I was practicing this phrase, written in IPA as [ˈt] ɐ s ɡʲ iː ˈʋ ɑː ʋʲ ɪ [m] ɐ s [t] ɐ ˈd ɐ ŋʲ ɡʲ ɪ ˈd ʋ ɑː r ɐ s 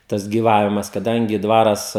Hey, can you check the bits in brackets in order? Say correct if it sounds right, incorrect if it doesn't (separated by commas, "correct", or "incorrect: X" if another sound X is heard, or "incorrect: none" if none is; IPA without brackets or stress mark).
correct, correct, incorrect: k